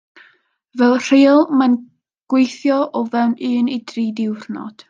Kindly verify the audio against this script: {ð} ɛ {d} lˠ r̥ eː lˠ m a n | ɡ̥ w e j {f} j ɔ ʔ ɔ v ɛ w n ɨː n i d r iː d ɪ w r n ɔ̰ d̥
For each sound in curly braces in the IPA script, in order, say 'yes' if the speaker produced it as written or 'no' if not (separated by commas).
no, no, no